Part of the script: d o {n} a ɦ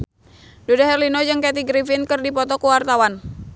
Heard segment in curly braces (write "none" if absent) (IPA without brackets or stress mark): d